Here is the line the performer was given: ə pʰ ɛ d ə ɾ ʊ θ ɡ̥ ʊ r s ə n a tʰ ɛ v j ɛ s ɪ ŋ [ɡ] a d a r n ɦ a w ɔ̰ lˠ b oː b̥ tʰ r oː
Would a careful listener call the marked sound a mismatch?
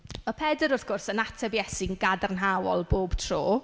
no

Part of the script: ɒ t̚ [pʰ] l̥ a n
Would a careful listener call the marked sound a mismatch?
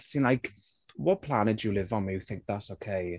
no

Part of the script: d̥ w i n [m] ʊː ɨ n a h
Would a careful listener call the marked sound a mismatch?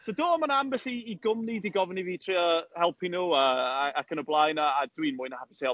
no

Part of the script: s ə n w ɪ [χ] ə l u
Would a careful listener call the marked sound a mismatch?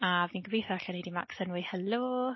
yes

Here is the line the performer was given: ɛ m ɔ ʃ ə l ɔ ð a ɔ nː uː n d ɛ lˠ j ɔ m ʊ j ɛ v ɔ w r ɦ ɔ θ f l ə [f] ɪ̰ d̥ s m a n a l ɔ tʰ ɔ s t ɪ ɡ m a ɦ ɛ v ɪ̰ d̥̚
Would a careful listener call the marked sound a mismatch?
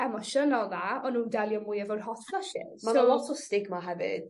yes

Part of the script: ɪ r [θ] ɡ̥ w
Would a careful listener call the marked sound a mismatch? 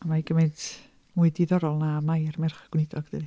yes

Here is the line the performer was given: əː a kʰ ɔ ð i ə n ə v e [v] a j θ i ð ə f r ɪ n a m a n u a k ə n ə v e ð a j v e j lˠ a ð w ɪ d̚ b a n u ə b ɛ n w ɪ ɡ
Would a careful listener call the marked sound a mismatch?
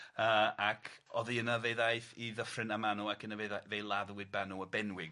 yes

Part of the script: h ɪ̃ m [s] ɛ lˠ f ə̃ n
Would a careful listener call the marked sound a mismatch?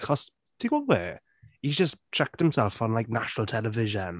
no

